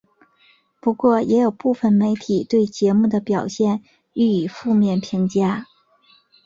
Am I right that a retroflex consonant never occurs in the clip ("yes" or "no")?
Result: yes